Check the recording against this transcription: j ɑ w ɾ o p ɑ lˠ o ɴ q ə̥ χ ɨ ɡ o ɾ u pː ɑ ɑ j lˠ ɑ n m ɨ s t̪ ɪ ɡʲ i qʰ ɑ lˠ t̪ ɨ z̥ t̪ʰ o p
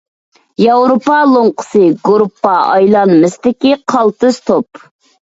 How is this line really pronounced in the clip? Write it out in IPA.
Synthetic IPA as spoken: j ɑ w ɾ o p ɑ lˠ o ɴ q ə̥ s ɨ ɡ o ɾ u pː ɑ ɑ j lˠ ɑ n m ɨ s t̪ ɪ kʲ i qʰ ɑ lˠ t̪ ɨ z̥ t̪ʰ o p